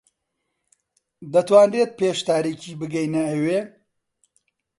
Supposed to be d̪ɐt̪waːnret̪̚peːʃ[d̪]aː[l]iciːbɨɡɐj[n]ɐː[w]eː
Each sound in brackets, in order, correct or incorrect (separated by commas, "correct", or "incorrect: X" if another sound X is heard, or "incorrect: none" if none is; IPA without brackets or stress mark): incorrect: t̪, incorrect: ɾ, correct, correct